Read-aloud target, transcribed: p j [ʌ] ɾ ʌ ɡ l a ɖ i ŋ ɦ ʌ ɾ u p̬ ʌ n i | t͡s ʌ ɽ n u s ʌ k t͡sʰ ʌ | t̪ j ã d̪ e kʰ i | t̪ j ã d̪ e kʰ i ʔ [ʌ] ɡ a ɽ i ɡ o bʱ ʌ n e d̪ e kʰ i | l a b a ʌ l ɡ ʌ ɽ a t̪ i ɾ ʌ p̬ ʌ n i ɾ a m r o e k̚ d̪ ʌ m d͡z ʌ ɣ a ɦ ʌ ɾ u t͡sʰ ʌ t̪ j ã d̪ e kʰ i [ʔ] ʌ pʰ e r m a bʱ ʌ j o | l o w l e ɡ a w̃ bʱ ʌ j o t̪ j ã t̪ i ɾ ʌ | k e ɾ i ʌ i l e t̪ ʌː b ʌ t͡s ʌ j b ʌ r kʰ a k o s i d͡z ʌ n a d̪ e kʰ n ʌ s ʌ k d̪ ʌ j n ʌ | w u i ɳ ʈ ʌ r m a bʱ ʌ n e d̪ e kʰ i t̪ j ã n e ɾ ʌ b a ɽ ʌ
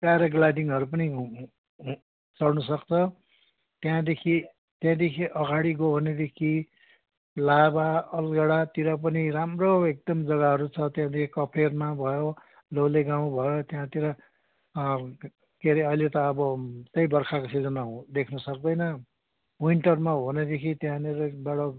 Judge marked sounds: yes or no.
no, yes, no

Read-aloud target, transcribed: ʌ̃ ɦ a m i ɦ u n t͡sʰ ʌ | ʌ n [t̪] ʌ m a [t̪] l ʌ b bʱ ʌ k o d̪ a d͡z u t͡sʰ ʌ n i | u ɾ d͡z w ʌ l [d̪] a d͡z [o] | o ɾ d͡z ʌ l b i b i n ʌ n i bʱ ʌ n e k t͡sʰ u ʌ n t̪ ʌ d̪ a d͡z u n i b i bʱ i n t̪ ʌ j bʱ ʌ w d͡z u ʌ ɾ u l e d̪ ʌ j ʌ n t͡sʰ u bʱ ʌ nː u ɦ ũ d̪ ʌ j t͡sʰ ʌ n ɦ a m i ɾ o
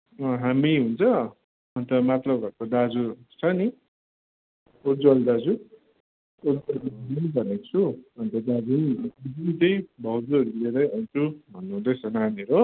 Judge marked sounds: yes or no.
yes, yes, yes, no

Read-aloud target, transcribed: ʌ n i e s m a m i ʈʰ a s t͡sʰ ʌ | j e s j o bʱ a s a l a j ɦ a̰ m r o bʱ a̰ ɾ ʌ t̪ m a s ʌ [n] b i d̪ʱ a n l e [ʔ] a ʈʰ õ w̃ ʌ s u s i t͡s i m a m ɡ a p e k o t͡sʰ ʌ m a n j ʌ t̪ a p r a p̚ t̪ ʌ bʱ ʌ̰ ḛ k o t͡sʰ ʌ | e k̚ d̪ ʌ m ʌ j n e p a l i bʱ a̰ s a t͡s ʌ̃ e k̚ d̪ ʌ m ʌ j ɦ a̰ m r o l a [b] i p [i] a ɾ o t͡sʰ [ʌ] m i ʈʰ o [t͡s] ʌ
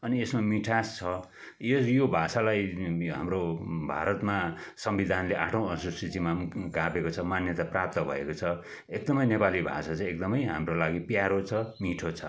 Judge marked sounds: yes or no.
no, yes, no, no, yes, no

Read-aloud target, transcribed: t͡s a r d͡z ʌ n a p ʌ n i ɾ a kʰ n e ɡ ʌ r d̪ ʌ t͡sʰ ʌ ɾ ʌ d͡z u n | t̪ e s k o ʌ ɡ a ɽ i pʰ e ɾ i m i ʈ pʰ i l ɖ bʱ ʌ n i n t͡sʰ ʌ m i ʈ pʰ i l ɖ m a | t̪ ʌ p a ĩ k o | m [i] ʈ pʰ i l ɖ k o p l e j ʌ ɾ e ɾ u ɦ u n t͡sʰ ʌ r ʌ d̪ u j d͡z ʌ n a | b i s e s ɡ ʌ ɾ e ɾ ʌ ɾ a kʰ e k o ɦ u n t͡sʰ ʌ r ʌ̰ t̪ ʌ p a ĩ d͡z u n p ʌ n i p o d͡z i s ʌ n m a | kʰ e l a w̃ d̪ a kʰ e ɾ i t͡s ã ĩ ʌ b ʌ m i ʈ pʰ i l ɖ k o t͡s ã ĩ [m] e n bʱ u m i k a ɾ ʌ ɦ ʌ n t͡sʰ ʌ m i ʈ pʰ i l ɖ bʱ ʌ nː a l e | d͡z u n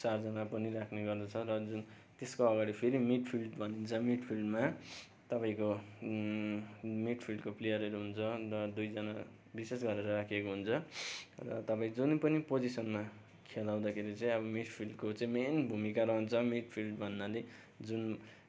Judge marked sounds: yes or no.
yes, yes

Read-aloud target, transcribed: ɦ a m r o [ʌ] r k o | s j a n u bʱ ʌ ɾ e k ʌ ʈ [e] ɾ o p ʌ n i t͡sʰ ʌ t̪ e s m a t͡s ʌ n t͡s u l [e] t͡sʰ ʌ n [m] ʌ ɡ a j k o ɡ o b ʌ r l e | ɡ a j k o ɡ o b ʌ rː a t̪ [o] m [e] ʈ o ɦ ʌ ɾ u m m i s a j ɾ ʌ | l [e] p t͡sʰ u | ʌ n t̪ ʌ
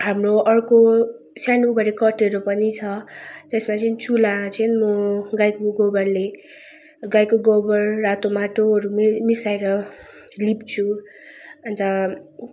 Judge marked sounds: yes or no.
yes, yes, no, yes, yes, no, no

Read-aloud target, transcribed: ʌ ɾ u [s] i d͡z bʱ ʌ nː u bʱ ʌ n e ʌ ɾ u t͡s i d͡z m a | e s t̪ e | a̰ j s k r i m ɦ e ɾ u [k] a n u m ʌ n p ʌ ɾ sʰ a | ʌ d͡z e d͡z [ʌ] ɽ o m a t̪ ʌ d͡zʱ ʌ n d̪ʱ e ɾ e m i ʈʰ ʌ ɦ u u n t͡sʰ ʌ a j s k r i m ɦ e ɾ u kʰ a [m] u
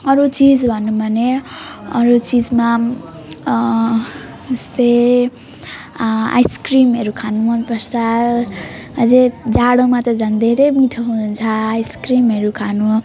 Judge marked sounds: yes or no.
no, no, no, no

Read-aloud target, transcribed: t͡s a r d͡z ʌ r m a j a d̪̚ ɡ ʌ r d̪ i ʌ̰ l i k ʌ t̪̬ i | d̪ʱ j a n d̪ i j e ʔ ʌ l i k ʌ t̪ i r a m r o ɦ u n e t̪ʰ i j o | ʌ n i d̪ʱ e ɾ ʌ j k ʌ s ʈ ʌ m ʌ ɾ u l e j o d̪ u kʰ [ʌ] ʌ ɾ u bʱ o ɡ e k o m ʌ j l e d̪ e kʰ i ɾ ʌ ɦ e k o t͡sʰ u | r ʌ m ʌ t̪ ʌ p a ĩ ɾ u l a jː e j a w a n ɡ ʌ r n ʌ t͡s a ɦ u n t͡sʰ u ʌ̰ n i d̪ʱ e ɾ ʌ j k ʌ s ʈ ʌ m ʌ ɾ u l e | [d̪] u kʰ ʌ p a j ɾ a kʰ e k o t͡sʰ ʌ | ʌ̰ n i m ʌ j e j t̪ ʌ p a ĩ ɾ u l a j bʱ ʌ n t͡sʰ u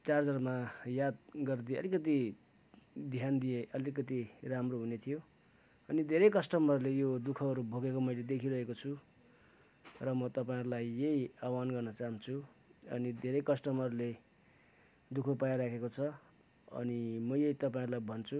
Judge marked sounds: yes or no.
yes, yes

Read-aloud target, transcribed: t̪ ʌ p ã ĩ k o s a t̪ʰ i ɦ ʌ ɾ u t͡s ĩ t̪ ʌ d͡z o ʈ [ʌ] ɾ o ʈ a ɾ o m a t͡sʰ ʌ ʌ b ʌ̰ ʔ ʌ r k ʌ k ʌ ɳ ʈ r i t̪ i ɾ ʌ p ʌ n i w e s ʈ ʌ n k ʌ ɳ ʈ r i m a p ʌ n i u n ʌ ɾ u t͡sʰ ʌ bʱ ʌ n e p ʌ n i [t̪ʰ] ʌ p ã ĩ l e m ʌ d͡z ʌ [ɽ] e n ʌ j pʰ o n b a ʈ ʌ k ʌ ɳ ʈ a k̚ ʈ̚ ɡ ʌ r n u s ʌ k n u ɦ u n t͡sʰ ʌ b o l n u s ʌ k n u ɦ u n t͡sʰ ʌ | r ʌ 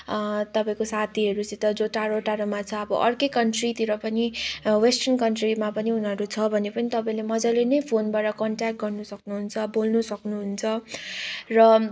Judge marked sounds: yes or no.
no, no, no

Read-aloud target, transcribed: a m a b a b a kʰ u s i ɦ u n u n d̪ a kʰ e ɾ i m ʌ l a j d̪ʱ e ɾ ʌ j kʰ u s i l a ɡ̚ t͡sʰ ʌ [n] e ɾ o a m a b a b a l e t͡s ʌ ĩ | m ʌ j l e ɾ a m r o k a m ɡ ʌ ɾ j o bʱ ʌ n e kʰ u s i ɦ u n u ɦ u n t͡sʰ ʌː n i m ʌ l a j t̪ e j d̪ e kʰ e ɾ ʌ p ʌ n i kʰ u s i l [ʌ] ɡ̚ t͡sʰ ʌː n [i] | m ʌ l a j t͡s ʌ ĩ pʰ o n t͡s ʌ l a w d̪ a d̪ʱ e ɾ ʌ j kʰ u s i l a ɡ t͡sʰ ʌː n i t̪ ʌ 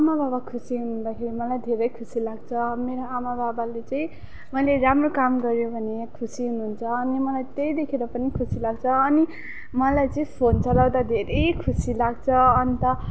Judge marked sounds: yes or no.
no, no, yes

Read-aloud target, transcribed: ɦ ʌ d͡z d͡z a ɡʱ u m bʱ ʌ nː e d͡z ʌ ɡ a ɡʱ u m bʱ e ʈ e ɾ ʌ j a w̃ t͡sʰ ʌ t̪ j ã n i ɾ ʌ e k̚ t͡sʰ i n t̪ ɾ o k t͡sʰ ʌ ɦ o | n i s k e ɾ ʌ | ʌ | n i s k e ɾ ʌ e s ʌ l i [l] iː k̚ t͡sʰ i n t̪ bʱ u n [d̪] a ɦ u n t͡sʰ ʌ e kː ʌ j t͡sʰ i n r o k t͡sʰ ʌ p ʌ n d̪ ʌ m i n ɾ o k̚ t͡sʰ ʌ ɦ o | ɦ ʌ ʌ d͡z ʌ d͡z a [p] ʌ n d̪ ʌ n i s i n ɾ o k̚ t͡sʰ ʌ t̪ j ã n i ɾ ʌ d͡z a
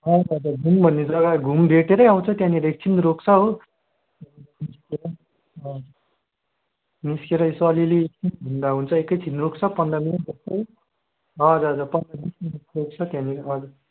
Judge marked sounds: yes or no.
yes, yes, yes

